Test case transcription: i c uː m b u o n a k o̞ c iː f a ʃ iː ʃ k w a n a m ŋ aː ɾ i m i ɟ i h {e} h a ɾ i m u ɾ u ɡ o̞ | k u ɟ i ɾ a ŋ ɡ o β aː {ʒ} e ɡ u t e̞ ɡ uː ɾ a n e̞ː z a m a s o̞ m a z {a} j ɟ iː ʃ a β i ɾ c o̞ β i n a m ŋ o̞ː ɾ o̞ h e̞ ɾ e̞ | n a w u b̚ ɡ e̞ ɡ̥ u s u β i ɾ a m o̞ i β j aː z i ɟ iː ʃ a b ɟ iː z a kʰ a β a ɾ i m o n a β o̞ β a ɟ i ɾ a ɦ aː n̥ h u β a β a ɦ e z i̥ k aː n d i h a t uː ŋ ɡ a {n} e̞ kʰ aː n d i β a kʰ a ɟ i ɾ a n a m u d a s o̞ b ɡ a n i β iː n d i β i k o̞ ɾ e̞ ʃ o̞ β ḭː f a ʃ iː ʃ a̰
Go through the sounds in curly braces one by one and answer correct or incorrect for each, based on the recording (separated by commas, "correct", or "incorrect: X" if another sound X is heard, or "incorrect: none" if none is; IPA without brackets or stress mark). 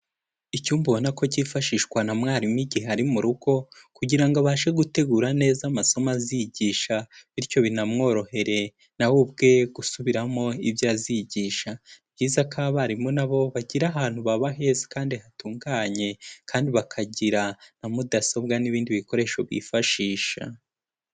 correct, incorrect: ʃ, incorrect: i, incorrect: ɲ